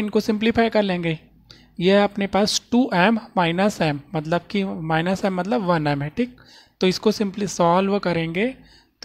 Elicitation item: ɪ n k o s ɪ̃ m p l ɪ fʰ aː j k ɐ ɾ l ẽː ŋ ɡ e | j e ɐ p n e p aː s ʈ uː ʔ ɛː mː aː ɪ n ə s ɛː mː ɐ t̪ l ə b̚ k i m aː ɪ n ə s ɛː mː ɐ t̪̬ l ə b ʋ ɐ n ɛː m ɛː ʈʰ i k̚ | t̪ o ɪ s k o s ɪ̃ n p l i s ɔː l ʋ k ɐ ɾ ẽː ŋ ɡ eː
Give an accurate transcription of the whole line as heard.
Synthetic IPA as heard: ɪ n k o s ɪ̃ m p l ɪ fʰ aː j k ɐ ɾ l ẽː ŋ ɡ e | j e ɐ p n e p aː s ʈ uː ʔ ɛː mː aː ɪ n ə s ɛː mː ɐ t̪ l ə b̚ k i m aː ɪ n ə s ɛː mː ɐ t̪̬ l ə b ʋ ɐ n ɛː m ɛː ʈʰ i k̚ | t̪ o ɪ s k o s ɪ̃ m p l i s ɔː l ʋ k ɐ ɾ ẽː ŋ ɡ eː